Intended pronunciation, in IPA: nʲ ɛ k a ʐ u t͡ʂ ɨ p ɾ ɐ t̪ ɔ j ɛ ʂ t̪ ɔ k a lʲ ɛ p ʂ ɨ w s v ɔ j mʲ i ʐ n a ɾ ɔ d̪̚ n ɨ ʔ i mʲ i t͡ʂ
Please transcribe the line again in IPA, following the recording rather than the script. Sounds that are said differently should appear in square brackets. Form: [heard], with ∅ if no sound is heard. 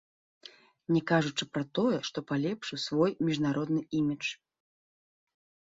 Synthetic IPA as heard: nʲ ɛ k a ʐ u t͡ʂ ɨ p ɾ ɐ t̪ ɔ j ɛ ʂ t̪ ɔ [p] a lʲ ɛ p ʂ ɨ w s v ɔ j mʲ i ʐ n a ɾ ɔ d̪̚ n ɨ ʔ i mʲ i t͡ʂ